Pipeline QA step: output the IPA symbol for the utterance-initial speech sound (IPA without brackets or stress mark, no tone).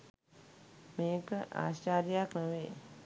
m